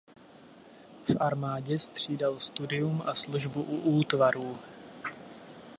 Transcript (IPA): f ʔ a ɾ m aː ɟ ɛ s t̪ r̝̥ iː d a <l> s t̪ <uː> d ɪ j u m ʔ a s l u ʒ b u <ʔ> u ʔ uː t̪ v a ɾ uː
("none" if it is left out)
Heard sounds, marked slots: l, u, ʔ

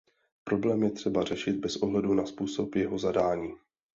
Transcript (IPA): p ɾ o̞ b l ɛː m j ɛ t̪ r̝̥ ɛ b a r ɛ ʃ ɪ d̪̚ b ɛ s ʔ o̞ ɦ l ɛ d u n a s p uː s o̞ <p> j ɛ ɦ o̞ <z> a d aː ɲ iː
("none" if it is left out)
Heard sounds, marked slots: p, z

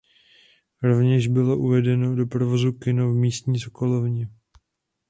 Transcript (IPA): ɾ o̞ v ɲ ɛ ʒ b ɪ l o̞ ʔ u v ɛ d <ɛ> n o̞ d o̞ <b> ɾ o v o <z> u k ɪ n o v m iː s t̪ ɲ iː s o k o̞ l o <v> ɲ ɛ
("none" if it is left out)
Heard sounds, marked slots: ɛ, p, z, v

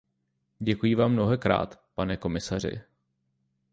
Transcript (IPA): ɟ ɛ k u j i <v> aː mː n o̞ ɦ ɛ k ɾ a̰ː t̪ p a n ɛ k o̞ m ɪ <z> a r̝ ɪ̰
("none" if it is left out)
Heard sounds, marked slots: v, s

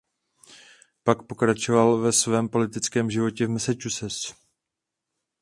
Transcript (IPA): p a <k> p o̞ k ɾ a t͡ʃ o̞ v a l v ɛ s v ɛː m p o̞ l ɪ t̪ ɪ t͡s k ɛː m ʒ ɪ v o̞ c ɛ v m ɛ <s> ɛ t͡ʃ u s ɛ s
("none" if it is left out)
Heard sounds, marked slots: k, s

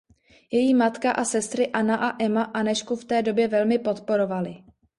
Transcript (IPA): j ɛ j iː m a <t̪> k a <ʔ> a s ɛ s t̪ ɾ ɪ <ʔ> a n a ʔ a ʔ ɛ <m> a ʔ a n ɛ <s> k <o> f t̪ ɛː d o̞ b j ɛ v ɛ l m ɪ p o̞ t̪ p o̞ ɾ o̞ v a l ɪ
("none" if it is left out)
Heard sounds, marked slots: t̪, ʔ, ʔ, m, ʃ, u

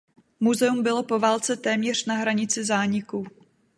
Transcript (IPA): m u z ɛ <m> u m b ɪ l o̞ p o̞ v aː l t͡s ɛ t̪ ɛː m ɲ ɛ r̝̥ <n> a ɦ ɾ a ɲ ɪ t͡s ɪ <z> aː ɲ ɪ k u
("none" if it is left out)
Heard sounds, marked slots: none, n, z

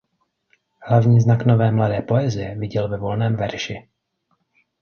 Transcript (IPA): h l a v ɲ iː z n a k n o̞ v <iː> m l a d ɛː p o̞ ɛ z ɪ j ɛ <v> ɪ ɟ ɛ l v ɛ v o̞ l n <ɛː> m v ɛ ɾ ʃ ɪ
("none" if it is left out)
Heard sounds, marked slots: ɛː, v, ɛː

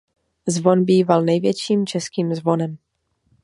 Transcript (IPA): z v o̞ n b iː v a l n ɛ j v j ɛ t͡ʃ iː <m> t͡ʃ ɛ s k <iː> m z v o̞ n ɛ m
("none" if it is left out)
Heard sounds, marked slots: m, iː

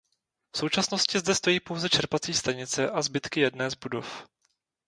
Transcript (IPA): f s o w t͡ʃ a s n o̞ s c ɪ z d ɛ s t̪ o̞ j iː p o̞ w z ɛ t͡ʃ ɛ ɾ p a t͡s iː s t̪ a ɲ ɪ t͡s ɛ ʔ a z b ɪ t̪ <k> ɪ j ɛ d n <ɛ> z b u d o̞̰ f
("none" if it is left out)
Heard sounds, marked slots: k, ɛː

